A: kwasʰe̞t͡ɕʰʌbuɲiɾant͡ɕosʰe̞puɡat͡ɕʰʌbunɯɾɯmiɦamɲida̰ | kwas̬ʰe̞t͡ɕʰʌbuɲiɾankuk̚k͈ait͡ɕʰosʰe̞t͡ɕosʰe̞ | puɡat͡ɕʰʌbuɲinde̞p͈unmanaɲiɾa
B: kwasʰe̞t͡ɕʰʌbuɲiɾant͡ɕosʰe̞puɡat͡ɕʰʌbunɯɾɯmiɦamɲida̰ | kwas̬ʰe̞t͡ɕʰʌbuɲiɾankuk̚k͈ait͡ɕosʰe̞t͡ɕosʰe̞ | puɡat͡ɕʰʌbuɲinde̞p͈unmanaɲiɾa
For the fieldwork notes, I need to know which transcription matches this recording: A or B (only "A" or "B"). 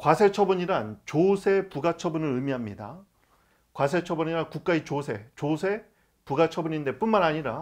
B